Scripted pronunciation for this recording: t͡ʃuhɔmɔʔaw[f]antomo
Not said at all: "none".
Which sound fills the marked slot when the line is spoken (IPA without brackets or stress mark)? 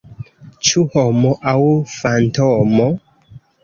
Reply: f